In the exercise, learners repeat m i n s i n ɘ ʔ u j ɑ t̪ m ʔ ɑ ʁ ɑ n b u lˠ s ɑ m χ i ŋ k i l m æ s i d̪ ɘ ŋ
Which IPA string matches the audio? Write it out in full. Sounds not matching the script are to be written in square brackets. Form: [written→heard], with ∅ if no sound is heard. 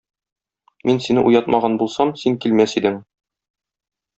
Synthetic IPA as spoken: m i n s i n ɘ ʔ u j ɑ t̪ m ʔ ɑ ʁ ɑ n b u lˠ s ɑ m [χ→s] i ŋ k i l m æ s i d̪ ɘ ŋ